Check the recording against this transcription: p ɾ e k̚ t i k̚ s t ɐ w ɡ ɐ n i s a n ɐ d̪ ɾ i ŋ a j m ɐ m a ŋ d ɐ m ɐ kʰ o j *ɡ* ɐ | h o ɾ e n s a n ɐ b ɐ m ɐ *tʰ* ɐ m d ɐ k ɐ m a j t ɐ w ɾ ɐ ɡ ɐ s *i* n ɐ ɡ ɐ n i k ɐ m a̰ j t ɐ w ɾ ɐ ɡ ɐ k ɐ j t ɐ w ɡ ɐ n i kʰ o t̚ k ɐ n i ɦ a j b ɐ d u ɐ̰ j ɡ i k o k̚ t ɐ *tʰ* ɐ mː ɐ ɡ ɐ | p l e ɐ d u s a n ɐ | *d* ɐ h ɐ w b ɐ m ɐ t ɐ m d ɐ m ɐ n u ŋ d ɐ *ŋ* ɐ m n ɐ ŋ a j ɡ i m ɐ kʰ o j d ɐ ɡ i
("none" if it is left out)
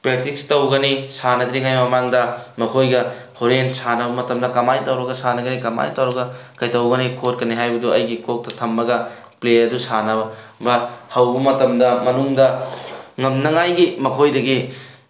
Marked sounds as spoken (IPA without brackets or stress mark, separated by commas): ɡ, t, a, tʰ, b, ŋ